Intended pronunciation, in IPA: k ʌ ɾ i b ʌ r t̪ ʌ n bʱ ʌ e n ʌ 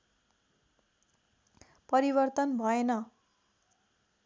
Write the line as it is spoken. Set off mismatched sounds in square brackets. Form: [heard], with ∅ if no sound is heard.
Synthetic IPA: [p] ʌ ɾ i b ʌ r t̪ ʌ n bʱ ʌ e n ʌ